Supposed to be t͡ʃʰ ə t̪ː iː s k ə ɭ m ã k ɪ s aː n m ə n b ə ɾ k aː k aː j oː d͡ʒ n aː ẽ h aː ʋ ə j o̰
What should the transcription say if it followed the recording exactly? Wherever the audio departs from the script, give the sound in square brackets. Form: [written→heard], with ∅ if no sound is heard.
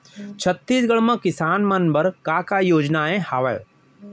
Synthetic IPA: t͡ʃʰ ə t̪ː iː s [k→ɡ] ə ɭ m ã k ɪ s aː n m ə n b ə ɾ k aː k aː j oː d͡ʒ n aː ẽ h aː ʋ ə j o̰